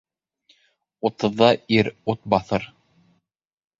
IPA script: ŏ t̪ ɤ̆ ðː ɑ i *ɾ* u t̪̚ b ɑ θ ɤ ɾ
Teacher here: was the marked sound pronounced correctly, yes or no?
yes